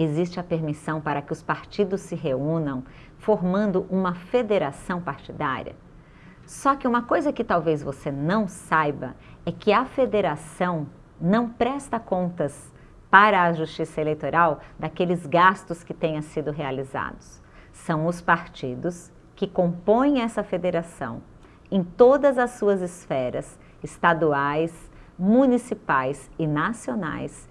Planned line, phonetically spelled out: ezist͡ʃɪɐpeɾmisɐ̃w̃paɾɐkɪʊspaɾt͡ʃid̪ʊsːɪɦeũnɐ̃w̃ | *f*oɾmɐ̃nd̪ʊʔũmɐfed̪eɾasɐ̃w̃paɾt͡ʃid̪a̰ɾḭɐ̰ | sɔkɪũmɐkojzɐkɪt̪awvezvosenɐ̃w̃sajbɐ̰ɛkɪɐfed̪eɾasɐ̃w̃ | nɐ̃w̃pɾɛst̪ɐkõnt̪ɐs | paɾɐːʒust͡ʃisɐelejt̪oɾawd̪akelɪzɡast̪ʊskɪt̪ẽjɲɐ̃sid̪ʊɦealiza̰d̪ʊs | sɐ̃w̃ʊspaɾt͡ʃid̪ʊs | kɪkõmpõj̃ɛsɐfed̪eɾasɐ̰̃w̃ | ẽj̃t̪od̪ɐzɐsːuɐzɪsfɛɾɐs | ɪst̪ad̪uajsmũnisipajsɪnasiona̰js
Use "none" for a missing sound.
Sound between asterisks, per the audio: f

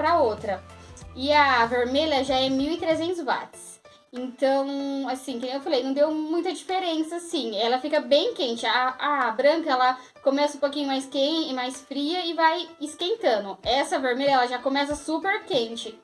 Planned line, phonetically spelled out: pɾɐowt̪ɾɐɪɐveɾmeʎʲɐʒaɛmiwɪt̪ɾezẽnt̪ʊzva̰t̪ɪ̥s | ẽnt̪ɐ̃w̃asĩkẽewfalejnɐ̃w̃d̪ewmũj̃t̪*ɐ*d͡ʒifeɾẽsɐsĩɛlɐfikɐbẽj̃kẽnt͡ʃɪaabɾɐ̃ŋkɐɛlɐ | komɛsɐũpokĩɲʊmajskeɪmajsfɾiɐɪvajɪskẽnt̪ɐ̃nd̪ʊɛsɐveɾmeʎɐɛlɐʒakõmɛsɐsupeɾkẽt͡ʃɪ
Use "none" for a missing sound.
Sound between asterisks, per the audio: ɐ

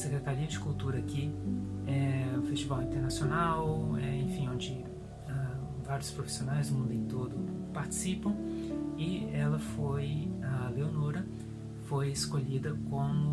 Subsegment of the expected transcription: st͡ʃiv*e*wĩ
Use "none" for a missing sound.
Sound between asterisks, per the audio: a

